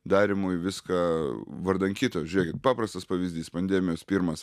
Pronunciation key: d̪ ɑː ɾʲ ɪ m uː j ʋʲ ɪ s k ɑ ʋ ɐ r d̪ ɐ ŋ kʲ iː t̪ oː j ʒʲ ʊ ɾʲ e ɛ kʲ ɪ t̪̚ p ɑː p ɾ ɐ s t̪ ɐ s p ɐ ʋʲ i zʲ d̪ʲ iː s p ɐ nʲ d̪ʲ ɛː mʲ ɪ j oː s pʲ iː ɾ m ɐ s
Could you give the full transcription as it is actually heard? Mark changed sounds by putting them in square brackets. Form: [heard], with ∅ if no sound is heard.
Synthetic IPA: d̪ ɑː ɾʲ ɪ m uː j ʋʲ ɪ s k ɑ ʋ ɐ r d̪ ɐ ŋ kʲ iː t̪ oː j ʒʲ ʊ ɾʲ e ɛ kʲ ɪ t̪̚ p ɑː p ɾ ɐ s t̪ ɐ s p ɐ ʋʲ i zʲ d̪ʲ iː s p ɐ nʲ d̪ʲ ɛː mʲ ɪ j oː s pʲ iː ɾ m ɐ s